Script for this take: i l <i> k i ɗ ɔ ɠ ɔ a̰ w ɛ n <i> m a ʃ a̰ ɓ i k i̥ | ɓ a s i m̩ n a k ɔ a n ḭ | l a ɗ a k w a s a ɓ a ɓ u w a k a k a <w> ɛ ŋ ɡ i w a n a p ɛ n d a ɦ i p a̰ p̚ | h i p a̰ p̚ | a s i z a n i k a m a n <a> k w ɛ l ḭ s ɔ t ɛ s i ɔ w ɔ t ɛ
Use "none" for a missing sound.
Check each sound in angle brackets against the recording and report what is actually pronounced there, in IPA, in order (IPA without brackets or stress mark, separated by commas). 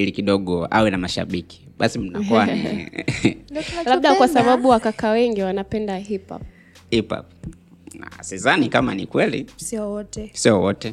i, a, w, i